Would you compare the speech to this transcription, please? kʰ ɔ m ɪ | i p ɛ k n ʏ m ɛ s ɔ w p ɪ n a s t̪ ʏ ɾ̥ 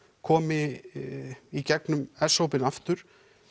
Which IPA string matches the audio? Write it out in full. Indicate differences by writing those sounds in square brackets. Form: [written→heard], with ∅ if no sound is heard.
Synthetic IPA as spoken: kʰ [ɔ→ɔː] m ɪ | i [p→c] ɛ k n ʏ m ɛ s [ɔ→o] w p ɪ n a [s→f] t̪ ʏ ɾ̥